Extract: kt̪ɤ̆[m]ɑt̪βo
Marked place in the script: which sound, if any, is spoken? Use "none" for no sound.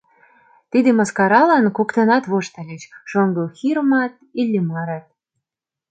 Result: n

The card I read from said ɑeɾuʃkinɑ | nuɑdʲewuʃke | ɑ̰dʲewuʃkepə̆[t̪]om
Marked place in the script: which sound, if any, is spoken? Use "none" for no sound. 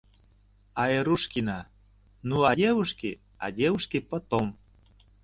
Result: t̪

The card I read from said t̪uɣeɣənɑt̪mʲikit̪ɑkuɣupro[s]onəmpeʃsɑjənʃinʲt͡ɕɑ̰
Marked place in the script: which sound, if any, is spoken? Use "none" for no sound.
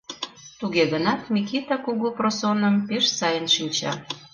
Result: s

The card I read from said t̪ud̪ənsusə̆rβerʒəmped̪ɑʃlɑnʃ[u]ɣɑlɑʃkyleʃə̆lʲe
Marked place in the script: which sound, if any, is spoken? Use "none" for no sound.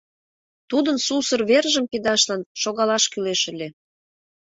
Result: o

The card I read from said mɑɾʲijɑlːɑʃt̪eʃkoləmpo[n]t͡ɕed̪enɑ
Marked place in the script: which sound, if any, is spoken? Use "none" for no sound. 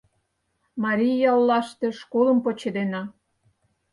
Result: none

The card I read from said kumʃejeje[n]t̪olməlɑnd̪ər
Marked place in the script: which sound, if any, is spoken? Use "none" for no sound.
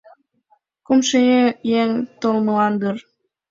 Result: ŋ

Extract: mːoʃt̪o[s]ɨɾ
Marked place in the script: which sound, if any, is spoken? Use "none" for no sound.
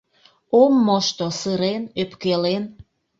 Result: s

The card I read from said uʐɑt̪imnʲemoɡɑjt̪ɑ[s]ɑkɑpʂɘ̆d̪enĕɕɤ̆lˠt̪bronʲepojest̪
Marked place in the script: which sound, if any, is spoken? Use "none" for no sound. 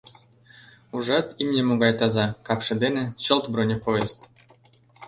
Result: z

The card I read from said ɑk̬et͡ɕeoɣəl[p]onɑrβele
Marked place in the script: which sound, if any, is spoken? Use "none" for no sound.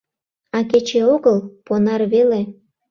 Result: p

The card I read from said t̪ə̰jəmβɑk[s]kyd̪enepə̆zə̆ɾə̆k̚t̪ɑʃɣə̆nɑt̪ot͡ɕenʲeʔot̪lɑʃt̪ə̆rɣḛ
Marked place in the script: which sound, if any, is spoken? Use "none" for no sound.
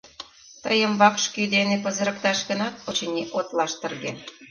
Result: ʃ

